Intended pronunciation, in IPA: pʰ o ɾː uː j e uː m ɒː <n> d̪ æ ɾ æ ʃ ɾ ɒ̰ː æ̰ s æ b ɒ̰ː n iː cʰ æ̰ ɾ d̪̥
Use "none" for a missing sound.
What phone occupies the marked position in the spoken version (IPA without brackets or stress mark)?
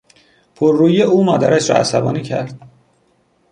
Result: none